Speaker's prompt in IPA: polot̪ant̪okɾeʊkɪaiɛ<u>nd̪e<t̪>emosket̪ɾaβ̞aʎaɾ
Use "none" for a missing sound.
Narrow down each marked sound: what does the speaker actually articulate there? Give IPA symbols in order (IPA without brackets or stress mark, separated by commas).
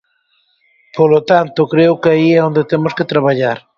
o, t̪